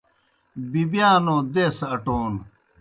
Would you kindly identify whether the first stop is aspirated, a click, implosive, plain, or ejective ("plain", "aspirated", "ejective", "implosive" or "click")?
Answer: plain